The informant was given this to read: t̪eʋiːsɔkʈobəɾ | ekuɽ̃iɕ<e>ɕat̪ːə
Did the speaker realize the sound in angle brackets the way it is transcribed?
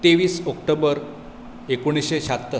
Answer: yes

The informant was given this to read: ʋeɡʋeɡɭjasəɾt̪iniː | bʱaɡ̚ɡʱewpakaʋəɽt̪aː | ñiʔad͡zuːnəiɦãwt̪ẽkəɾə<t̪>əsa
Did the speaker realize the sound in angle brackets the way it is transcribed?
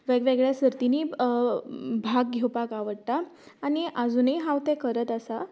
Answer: yes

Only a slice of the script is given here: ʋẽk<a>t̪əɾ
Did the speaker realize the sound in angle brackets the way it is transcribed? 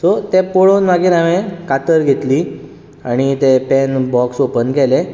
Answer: yes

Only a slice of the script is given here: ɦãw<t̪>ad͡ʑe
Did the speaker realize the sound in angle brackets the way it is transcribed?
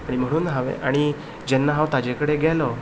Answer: yes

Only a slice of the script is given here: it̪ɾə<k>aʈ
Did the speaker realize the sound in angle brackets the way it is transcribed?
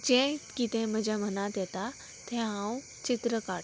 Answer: yes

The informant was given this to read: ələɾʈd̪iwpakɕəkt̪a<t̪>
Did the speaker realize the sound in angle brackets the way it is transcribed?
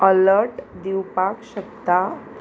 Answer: no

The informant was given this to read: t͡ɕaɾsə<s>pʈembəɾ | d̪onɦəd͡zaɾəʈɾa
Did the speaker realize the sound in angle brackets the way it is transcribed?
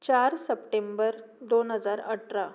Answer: no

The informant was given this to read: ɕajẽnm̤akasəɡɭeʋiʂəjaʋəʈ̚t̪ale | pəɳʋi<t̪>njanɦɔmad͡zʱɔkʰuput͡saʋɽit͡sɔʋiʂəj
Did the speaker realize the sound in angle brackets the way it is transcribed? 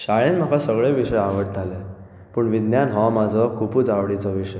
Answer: no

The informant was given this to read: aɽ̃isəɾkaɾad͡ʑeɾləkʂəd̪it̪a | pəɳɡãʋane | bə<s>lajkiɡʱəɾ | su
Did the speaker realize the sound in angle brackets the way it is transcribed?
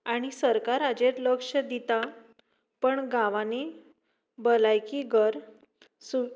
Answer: no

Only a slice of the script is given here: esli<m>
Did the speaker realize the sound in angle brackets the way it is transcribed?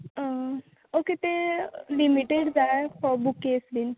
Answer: no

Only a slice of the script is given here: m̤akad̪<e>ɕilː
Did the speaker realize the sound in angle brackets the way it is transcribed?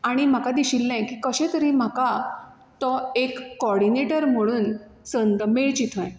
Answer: no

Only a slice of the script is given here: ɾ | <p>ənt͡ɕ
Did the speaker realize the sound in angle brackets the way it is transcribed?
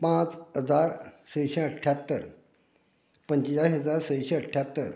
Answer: yes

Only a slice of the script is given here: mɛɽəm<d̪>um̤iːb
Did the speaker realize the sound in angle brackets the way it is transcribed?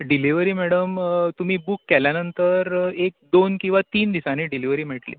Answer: no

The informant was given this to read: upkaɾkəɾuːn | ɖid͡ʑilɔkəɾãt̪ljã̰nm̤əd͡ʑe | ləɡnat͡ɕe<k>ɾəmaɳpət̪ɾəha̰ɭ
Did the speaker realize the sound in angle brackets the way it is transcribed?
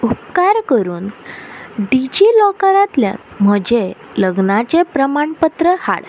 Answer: no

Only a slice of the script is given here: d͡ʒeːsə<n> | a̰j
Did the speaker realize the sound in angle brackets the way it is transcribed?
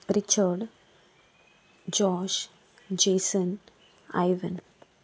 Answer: yes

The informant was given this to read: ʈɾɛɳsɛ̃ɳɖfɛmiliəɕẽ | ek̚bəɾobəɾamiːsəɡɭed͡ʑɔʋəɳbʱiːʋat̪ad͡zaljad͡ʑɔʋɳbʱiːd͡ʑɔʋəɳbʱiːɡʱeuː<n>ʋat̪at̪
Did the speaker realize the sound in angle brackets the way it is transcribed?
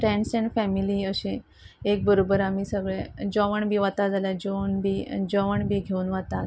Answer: yes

